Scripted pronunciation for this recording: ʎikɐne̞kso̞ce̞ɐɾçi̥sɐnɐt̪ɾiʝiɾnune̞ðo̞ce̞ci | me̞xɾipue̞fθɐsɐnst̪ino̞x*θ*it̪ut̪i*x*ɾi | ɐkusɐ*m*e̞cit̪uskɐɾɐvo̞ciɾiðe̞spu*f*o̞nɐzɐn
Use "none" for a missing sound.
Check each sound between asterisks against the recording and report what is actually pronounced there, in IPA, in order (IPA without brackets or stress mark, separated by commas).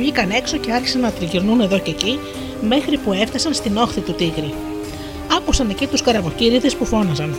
θ, ɣ, n, f